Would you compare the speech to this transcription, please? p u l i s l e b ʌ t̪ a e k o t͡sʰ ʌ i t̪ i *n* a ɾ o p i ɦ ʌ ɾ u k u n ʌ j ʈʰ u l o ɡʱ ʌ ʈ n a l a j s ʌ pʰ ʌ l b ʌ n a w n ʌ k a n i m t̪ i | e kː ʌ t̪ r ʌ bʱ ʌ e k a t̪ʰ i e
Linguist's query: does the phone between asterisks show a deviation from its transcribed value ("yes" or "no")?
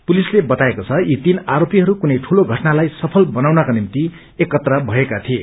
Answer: no